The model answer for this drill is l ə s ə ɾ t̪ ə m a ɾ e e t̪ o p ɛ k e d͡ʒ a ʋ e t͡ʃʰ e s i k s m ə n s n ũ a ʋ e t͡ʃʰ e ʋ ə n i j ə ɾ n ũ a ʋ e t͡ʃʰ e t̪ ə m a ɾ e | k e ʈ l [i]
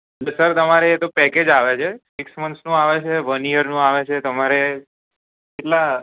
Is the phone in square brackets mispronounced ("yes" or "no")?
yes